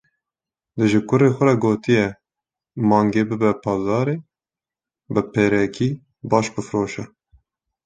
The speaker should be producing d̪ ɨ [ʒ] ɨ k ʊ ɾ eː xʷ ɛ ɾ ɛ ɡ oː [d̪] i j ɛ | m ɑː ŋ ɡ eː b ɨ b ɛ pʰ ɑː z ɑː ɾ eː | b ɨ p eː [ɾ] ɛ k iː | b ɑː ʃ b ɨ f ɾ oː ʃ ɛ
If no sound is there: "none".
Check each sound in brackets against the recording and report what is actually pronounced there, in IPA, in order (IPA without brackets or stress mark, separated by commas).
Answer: ʒ, t̪, ɾ